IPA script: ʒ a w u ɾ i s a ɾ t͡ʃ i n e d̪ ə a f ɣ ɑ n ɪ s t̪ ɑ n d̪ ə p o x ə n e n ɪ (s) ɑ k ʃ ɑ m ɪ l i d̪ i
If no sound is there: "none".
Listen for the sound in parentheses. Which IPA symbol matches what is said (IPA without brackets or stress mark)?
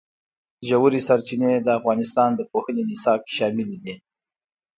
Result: s